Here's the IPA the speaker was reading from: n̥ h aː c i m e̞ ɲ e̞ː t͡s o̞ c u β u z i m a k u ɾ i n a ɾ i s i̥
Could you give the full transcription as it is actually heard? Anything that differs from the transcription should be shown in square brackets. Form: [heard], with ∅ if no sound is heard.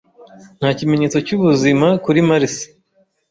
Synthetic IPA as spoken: n̥ h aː c i m e̞ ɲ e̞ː t͡s o̞ c u β u z i m a k u ɾ i [m] a ɾ i s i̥